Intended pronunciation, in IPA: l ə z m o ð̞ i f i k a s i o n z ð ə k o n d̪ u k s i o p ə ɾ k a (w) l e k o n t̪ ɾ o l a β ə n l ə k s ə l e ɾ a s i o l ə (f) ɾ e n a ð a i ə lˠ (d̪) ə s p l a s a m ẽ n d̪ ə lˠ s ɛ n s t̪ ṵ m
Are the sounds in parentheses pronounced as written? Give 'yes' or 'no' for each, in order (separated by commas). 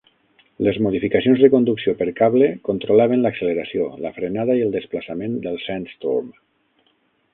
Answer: no, yes, yes